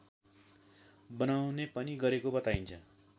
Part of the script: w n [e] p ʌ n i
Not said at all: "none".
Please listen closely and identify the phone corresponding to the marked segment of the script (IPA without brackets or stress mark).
e